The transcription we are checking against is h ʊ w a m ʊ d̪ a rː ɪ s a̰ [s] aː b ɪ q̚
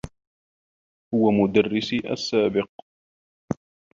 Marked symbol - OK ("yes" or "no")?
no